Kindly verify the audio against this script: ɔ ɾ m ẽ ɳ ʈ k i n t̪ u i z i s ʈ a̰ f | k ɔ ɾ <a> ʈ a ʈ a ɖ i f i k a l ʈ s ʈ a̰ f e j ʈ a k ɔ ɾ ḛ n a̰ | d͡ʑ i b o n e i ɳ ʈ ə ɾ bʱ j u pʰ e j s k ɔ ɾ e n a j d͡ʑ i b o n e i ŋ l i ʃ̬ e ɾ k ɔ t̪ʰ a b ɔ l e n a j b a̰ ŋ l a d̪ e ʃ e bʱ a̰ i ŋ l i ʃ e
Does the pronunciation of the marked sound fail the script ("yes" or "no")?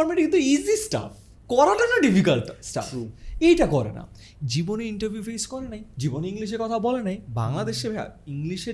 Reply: no